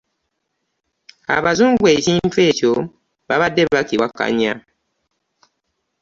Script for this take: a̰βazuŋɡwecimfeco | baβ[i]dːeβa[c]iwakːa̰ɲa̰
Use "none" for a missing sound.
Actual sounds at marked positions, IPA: a, k

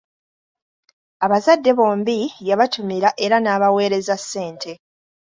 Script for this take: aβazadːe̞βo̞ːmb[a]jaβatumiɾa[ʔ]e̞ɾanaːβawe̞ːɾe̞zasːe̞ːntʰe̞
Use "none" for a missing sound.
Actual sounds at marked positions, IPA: i, ʔ

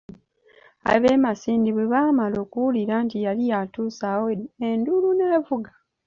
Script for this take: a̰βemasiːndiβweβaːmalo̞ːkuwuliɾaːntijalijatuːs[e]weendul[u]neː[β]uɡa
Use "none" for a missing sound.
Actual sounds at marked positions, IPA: a, u, v

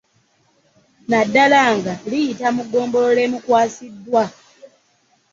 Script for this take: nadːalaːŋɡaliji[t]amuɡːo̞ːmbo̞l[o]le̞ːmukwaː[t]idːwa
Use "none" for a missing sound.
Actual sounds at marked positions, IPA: t, o, s

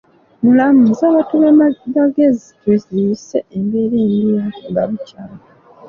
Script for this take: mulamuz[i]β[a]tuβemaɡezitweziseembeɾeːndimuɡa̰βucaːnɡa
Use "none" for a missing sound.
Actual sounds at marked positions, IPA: a, a

